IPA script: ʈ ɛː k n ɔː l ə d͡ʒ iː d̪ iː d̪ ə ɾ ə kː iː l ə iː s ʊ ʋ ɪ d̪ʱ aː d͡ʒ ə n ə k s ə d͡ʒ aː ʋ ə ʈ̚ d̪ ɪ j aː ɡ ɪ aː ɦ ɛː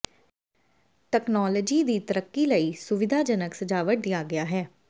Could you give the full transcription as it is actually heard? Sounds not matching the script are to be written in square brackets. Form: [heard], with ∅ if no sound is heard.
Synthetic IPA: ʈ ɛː k n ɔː l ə d͡ʒ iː d̪ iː [t̪] ə ɾ ə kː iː l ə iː s ʊ ʋ ɪ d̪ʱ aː d͡ʒ ə n ə k s ə d͡ʒ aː ʋ ə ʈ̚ d̪ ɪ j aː ɡ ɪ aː ɦ ɛː